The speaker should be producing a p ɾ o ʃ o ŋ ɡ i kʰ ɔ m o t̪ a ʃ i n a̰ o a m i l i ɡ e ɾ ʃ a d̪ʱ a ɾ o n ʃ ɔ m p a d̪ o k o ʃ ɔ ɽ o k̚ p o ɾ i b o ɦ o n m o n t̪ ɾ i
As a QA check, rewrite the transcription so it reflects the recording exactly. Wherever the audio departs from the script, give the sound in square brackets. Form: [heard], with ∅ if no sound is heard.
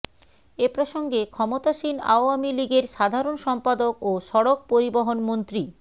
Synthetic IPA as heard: [e] p ɾ o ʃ o ŋ ɡ [e] kʰ ɔ m o t̪ a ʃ i n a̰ o a m i l i ɡ e ɾ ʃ a d̪ʱ a ɾ o n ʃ ɔ m p a d̪ o k o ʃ ɔ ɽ o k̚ p o ɾ i b o ɦ o n m o n t̪ ɾ i